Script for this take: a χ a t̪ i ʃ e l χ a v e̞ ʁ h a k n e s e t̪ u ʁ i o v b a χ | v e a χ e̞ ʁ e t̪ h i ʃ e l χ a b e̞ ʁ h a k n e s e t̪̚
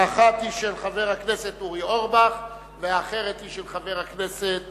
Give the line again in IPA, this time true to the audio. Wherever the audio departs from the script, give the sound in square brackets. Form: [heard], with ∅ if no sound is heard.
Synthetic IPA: a χ a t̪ i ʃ e l χ a v e̞ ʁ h a k n e s e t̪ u ʁ i o [ʁ] b a χ | v e a χ e̞ ʁ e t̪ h i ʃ e l χ a [v] e̞ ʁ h a k n e s e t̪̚